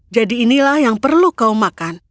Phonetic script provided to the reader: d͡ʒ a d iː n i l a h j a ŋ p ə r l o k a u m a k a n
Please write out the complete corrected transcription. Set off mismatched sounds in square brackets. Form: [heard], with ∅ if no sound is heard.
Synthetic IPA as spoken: d͡ʒ a d iː n i l a h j a ŋ p ə r l [u] k a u m a k a n

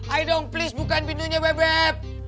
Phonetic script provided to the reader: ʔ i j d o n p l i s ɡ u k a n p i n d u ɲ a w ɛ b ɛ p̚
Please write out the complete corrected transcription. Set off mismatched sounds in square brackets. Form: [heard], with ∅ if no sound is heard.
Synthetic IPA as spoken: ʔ [a] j d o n p l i s [b] u k a n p i n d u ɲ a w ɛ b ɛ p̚

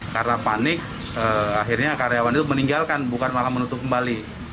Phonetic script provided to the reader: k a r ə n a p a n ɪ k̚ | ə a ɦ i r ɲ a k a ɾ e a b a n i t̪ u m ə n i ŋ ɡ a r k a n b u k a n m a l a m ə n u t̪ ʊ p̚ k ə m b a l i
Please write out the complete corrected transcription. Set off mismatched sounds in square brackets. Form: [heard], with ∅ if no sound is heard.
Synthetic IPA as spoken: k a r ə n a p a n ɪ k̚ | ə a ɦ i r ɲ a k a ɾ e a [w] a n i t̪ u m ə n i ŋ ɡ a [l] k a n b u k a n m a l a m ə n u t̪ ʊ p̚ k ə m b a l i

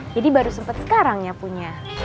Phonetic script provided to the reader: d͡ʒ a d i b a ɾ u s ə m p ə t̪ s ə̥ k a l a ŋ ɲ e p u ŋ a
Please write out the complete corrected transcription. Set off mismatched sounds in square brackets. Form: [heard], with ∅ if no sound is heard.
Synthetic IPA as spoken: d͡ʒ a d i b a ɾ u s ə m p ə t̪ s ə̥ k a [ɾ] a ŋ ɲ [a] p u [ɲ] a

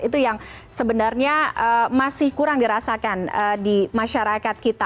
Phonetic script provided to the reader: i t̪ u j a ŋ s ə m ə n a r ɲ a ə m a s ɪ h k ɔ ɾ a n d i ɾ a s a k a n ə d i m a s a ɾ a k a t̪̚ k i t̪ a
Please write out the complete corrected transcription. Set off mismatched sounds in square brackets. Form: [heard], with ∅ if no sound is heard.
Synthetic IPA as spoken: i t̪ u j a ŋ s ə [b] ə n a r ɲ a ə m a s ɪ h k [u] ɾ a [ŋ] d i ɾ a s a k a n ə d i m a [ʃ] a ɾ a k a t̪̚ k i t̪ a

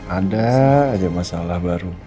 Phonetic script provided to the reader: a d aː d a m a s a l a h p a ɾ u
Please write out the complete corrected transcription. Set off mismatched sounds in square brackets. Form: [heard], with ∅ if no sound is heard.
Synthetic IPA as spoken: a d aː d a m a s a l a h [b] a ɾ u

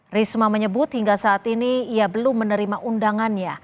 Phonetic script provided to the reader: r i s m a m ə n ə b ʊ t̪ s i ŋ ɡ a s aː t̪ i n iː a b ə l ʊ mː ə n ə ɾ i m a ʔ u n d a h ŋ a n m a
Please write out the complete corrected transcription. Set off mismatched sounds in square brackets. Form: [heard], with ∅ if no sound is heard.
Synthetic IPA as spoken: r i s m a m ə [ɲ] ə b ʊ t̪ [h] i ŋ ɡ a s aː t̪ i n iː a b ə l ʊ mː ə n ə ɾ i m a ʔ u n d a [∅] ŋ a n [ɲ] a

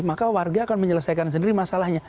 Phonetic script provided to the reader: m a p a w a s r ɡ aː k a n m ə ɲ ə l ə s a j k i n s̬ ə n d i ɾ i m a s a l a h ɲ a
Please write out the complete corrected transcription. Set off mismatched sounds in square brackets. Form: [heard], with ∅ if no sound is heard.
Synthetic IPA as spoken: m a [k] a w a [∅] r ɡ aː k a n m ə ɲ ə l ə s a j k [a] n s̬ ə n d i ɾ i m a s a l a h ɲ a

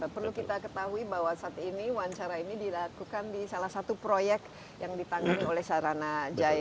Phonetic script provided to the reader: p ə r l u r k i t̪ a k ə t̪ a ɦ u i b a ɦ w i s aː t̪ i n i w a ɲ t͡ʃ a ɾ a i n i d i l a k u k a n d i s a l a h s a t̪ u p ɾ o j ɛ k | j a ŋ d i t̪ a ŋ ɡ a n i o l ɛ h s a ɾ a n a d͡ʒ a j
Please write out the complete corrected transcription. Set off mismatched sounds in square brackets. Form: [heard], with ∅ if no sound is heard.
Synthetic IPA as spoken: p ə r l u [∅] k i t̪ a k ə t̪ a ɦ u i b a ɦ w [a] s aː t̪ i n i w a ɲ t͡ʃ a ɾ a i n i d i l a k u k a n d i s a l a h s a t̪ u p ɾ o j ɛ k | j a ŋ d i t̪ a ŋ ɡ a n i o l ɛ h s a ɾ a n a d͡ʒ a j

